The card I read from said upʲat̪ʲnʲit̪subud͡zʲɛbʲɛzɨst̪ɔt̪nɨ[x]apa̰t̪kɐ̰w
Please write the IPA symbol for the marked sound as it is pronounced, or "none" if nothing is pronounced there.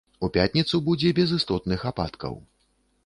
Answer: x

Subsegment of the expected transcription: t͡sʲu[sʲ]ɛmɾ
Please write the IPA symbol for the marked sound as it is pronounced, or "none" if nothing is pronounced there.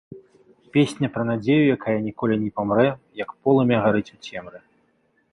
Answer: t͡sʲ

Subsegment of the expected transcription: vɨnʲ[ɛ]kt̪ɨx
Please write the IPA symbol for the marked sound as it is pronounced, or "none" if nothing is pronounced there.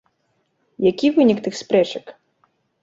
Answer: i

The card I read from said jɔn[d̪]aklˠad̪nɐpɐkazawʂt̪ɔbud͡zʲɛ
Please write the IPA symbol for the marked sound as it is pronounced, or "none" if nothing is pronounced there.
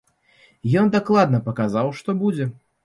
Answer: d̪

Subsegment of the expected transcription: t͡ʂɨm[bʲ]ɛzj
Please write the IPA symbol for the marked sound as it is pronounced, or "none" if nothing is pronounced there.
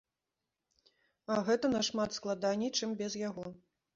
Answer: bʲ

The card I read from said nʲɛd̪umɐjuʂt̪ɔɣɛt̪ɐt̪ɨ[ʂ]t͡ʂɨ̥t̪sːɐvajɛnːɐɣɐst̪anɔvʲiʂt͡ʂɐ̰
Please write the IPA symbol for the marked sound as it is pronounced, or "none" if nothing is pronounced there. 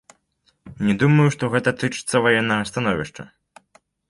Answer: none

